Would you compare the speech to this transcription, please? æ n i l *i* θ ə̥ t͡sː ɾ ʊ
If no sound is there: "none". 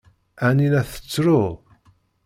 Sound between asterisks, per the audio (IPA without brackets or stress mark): æ